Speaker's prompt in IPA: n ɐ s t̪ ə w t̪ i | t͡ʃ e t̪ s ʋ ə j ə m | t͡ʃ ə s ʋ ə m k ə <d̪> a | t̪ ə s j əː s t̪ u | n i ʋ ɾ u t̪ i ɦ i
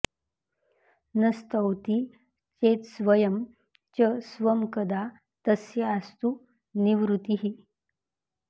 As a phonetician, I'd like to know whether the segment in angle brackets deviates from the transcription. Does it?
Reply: no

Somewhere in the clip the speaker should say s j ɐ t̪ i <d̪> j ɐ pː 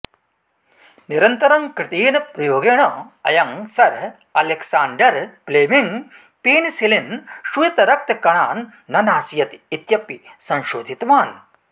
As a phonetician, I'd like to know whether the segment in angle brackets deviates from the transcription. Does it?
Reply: yes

